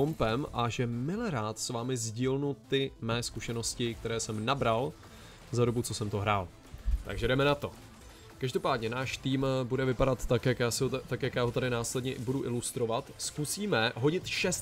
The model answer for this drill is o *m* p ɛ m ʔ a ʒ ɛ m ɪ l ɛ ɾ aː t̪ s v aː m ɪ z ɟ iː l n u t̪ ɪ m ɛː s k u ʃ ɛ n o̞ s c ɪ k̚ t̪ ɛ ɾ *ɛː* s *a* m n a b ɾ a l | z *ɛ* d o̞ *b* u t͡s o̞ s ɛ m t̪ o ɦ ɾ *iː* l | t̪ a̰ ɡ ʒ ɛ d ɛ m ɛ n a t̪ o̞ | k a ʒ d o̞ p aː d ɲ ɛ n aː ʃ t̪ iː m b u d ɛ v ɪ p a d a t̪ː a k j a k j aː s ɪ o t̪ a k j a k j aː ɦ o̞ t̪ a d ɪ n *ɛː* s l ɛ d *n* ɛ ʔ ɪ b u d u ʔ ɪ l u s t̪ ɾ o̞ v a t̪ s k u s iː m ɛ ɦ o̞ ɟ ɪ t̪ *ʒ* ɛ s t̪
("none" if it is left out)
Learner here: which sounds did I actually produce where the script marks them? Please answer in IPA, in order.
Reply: m, ɛː, ɛ, a, b, aː, aː, ɲ, ʃ

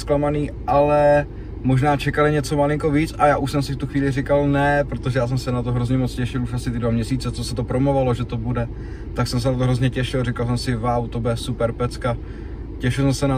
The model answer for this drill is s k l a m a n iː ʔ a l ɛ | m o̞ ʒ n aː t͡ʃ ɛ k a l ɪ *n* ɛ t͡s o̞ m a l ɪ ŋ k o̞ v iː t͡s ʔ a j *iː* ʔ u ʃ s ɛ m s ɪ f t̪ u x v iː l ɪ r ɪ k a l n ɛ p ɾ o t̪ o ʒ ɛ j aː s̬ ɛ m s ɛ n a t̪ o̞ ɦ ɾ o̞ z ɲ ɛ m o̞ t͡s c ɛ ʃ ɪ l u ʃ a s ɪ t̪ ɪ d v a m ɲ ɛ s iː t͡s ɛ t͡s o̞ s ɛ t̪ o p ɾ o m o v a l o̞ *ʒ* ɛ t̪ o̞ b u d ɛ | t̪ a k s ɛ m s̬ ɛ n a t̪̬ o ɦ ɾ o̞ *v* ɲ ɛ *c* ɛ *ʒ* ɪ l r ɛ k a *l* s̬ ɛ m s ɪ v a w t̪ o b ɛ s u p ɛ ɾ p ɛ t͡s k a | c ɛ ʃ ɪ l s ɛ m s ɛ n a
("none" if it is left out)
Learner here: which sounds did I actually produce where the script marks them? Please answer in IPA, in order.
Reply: ɲ, aː, ʒ, z, c, ʃ, l

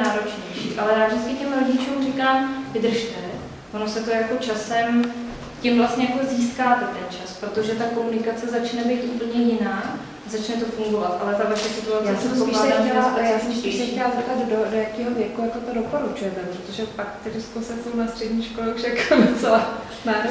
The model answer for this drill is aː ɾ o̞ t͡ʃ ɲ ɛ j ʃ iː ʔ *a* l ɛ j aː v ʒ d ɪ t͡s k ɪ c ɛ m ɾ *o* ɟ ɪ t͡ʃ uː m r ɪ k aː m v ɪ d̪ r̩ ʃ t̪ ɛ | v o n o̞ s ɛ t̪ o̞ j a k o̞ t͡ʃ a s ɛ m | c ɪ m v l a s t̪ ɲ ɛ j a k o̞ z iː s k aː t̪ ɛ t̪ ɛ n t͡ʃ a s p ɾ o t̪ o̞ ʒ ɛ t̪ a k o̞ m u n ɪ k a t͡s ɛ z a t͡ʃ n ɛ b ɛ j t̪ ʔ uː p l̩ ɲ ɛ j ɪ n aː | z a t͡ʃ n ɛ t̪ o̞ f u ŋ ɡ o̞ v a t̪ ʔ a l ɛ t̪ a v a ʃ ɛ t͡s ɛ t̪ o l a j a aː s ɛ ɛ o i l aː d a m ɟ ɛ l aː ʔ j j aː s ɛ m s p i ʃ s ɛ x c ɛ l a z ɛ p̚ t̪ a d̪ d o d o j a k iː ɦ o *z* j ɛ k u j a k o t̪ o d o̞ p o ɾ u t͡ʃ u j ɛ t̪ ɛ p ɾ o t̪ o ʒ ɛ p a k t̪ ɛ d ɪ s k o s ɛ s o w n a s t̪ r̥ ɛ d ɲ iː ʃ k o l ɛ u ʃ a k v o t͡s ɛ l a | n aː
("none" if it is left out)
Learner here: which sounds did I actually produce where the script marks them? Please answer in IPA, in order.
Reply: a, o, v

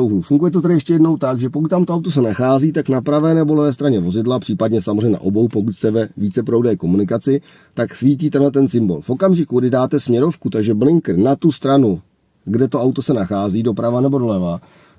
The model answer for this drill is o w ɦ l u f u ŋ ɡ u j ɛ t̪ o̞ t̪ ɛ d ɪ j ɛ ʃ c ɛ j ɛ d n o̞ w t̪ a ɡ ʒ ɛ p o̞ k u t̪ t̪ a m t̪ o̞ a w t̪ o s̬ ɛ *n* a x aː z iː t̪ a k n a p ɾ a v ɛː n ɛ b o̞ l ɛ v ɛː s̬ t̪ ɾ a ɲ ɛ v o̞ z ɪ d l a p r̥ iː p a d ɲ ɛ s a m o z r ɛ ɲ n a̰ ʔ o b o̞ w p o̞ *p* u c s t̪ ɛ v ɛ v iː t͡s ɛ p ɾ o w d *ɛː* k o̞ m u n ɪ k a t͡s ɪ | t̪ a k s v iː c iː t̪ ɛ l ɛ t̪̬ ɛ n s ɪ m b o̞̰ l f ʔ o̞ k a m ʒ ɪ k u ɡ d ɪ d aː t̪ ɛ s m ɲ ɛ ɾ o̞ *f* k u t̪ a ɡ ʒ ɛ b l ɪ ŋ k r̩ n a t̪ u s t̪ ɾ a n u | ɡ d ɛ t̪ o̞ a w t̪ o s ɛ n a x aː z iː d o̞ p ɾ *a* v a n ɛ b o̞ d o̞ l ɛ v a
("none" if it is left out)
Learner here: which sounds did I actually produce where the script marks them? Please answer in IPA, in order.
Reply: n, k, ɛː, f, a

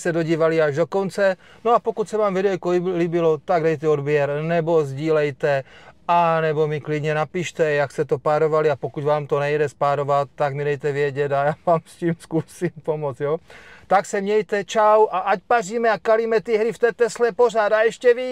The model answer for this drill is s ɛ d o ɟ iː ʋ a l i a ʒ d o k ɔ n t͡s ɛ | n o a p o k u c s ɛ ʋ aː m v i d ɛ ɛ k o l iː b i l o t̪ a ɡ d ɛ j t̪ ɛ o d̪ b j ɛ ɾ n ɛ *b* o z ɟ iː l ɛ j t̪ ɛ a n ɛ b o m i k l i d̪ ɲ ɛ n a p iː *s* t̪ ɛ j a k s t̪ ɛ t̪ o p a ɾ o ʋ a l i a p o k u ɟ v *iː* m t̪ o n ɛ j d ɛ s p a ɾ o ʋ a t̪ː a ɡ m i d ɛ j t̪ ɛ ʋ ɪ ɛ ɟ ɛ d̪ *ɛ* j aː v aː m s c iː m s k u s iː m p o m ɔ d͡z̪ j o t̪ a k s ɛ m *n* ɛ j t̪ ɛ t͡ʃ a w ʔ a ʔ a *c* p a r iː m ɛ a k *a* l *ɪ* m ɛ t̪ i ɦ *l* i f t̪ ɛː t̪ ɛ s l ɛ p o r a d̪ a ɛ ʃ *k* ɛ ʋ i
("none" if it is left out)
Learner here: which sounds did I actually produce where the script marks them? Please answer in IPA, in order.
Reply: b, ʃ, aː, a, ɲ, c, a, i, ɾ, c

